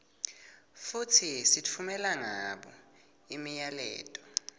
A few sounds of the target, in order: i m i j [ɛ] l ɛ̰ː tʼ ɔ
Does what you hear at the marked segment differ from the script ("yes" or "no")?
yes